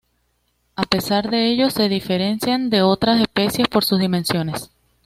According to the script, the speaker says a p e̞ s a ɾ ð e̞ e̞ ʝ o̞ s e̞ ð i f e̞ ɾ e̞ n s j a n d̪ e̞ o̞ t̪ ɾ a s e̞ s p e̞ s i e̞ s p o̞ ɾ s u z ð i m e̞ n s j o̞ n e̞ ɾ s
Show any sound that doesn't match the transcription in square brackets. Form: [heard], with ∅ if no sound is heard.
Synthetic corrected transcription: a p e̞ s a ɾ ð e̞ e̞ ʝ o̞ s e̞ ð i f e̞ ɾ e̞ n s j a n d̪ e̞ o̞ t̪ ɾ a s e̞ s p e̞ s [j] e̞ s p o̞ ɾ s u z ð i m e̞ n s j o̞ n e̞ [∅] s